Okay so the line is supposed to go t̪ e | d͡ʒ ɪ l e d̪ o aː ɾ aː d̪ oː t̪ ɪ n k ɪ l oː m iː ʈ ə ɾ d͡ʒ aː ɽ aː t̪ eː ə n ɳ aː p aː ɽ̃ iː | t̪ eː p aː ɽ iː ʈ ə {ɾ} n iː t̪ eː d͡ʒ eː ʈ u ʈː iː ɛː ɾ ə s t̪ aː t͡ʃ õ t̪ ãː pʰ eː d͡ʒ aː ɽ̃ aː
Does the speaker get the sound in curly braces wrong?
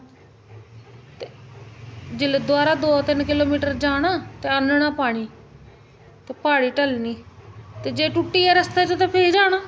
yes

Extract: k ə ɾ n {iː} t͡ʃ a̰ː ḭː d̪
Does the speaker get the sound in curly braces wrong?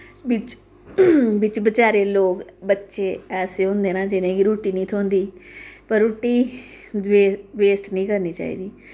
no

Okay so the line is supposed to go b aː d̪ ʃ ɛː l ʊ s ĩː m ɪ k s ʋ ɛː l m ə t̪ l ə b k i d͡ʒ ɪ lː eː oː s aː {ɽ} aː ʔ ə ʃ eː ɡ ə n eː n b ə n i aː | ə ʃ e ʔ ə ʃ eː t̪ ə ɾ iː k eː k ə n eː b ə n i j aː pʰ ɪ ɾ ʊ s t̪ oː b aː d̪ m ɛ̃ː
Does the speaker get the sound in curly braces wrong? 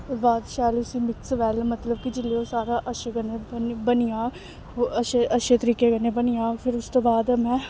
yes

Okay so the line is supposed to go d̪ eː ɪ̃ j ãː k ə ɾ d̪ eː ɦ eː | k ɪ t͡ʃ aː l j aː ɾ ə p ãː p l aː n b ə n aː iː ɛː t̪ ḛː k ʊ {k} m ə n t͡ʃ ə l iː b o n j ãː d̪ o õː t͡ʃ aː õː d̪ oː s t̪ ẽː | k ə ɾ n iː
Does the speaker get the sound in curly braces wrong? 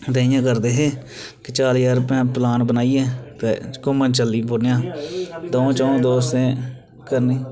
yes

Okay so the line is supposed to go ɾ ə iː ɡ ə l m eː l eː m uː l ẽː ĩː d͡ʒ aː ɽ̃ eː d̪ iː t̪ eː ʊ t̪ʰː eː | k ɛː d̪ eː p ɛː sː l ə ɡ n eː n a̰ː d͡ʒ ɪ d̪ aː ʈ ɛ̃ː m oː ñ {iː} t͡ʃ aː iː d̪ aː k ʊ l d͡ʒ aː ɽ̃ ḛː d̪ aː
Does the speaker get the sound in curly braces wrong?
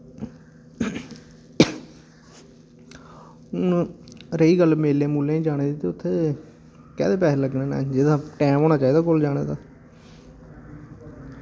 yes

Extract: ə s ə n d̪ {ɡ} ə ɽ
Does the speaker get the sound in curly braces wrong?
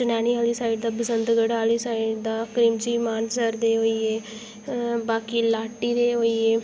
no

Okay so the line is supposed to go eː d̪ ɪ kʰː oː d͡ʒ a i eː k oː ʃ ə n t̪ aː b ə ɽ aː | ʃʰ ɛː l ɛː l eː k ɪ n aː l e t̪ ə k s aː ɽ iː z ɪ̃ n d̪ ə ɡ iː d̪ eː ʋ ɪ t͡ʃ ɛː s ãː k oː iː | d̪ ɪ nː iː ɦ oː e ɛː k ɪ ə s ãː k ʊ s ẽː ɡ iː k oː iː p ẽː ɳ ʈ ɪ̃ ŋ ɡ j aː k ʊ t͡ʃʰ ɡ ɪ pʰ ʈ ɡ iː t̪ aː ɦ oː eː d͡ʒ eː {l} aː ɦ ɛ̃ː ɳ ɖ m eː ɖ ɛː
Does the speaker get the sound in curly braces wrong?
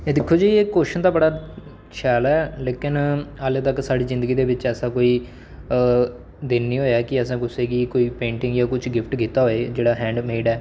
yes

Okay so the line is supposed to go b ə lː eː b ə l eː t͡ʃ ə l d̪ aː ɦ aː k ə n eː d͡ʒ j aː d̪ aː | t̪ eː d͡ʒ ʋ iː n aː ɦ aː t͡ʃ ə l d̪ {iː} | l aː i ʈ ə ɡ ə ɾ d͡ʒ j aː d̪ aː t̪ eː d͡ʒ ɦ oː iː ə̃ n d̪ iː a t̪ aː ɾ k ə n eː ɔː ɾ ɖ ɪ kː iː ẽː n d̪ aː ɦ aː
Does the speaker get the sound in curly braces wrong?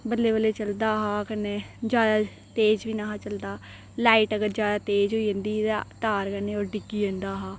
yes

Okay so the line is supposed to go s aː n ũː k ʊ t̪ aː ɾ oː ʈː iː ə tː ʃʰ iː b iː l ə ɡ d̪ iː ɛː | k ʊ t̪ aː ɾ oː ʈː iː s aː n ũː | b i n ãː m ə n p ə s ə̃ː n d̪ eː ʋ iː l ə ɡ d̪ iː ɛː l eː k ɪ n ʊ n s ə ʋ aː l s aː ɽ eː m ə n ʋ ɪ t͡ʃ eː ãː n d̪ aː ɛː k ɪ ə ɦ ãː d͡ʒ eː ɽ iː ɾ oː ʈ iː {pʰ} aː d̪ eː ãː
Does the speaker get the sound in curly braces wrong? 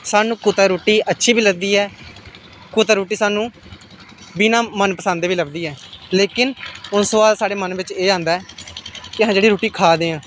yes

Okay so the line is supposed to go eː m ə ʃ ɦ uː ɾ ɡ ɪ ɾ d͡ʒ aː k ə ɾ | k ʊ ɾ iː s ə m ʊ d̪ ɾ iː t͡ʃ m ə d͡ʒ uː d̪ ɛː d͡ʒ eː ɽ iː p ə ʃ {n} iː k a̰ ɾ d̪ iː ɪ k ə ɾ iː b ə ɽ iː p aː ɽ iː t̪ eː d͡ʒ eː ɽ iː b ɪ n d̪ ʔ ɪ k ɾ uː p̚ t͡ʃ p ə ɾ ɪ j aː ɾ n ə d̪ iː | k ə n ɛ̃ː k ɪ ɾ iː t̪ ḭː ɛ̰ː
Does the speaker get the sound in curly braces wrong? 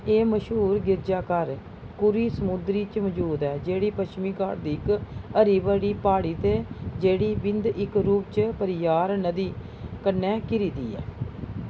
yes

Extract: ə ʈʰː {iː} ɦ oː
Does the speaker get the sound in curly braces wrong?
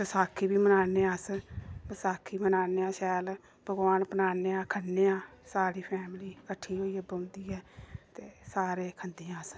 no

